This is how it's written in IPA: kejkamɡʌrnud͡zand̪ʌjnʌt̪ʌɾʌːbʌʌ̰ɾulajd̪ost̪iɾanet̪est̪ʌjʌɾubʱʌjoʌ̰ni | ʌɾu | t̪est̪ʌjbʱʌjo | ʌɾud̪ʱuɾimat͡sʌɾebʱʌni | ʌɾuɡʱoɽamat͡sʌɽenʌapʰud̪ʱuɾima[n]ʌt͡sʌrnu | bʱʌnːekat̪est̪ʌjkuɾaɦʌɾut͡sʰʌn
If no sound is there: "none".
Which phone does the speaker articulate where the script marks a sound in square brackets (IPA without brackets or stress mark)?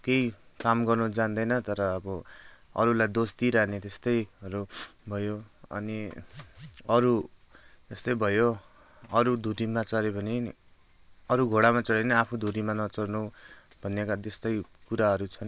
n